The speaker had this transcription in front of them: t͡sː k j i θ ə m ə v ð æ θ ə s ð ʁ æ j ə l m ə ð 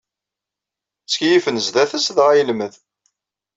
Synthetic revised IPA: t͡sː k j i f ə n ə z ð æ θ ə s ð ʁ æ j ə l m ə ð